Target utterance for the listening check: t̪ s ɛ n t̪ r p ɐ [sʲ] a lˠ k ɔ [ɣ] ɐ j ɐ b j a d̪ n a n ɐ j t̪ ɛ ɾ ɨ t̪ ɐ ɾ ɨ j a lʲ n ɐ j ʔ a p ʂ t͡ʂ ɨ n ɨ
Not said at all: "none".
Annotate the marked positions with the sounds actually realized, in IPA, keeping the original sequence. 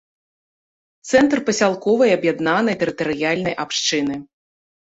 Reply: sʲ, v

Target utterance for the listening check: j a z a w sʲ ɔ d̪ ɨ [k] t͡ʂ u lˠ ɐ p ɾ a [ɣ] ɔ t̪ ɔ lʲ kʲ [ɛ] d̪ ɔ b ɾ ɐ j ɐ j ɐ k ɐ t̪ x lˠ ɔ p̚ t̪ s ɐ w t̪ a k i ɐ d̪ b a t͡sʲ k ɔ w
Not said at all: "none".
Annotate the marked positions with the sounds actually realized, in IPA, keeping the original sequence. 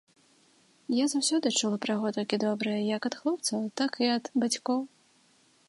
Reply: none, ɣ, i

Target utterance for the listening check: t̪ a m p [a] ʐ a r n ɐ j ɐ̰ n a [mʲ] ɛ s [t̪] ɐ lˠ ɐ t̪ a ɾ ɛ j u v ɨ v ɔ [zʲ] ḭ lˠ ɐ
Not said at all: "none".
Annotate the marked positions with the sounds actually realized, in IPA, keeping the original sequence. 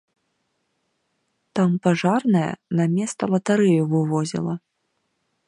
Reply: a, mʲ, t̪, zʲ

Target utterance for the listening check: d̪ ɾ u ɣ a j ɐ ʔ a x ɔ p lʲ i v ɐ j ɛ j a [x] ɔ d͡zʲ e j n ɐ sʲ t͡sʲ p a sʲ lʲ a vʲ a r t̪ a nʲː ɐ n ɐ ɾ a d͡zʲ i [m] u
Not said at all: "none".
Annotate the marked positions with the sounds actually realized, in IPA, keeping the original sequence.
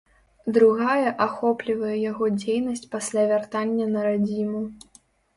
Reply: ɣ, m

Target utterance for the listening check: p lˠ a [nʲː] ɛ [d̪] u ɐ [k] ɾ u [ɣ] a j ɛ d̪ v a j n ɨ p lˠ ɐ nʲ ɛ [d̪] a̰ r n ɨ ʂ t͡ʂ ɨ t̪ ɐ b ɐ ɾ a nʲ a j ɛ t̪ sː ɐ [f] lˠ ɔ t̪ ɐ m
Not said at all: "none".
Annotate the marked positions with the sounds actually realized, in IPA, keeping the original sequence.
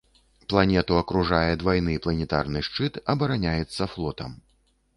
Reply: nʲ, t̪, k, ʐ, t̪, f

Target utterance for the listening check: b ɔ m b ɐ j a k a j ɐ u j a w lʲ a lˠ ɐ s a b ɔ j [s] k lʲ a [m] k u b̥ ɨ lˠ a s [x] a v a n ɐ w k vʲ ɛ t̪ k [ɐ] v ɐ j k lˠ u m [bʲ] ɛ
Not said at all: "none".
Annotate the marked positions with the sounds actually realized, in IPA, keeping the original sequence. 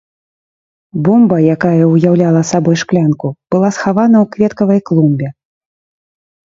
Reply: ʂ, n, x, ɐ, bʲ

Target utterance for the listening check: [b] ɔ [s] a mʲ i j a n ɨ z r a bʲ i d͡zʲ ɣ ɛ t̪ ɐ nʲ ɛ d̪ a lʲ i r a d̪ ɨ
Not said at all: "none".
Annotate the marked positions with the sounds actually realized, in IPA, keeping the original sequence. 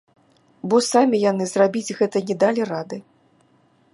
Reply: b, s

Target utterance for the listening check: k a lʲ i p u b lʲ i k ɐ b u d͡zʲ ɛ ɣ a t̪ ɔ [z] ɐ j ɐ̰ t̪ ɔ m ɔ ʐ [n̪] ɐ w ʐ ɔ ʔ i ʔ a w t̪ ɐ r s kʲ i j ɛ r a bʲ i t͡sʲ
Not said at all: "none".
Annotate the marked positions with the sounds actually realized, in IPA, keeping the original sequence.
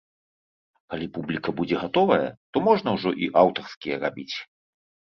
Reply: v, n̪

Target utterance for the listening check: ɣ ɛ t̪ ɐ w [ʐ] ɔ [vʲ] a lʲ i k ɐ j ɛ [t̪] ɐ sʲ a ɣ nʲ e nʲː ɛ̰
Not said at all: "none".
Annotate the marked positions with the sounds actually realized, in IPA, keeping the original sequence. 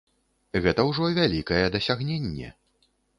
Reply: ʐ, vʲ, d̪

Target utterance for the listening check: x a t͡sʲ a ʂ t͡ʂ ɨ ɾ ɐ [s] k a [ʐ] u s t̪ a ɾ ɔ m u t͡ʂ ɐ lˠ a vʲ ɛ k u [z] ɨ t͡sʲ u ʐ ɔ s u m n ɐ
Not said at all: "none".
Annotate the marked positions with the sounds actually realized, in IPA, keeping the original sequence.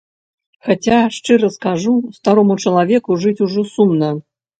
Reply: s, ʐ, ʐ

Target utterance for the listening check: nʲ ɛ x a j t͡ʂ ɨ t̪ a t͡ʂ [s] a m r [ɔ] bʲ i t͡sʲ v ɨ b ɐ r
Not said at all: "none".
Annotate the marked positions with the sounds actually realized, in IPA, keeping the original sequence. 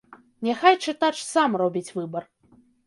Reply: s, ɔ

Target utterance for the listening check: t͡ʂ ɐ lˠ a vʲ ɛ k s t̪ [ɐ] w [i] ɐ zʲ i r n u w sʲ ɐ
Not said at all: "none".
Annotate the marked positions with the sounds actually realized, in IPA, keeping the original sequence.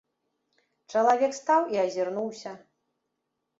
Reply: a, i

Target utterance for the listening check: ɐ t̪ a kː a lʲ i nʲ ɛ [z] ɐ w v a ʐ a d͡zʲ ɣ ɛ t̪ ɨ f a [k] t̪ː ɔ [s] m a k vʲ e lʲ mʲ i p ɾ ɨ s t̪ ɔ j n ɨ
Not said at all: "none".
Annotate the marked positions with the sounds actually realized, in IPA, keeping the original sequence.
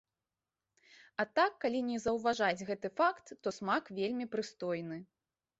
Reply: z, k, s

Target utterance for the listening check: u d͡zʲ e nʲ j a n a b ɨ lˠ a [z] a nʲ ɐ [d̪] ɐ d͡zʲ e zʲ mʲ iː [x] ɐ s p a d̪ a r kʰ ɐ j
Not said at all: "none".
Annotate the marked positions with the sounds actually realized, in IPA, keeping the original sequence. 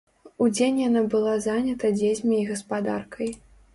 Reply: z, t̪, ɣ

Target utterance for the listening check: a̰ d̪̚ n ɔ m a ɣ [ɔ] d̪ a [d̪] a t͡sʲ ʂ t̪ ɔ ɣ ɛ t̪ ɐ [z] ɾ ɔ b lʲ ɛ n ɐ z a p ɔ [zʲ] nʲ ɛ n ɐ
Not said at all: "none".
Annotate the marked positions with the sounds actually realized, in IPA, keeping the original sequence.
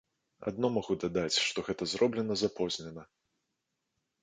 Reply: u, d̪, z, zʲ

